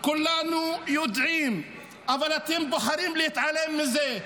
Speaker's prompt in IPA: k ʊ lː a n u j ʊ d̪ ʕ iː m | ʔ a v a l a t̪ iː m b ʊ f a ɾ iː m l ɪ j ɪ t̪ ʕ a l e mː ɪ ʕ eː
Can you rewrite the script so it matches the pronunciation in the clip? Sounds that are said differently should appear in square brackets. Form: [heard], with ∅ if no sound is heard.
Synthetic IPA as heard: k ʊ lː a n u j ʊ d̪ ʕ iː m | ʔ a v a l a t̪ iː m b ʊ [ħ] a ɾ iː m l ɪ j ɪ t̪ ʕ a l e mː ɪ [z] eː